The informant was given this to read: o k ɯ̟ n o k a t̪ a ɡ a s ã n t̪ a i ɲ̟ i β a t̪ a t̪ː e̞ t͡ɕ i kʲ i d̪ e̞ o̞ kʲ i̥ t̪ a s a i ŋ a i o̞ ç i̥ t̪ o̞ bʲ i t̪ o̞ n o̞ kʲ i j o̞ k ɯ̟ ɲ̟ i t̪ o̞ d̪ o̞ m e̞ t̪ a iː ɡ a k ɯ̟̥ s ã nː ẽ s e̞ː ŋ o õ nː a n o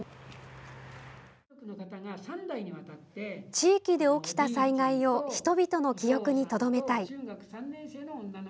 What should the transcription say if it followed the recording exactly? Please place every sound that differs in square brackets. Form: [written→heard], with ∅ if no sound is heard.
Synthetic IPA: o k ɯ̟ n o k a t̪ a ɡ a s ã n [t̪→d̪] a i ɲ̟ i β a t̪ a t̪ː e̞ t͡ɕ [i→iː] kʲ i d̪ e̞ o̞ kʲ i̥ t̪ a s a i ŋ a i o̞ ç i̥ t̪ o̞ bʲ i t̪ o̞ n o̞ kʲ i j o̞ k ɯ̟ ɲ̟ i t̪ o̞ d̪ o̞ m e̞ t̪ a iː ɡ a k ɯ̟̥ s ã nː ẽ s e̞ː [ŋ→n] o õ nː a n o